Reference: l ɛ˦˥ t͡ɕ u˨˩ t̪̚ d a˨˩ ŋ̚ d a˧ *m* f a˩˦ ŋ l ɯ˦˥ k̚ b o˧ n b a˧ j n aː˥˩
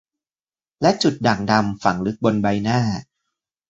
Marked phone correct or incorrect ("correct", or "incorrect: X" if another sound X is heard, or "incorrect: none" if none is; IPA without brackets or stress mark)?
correct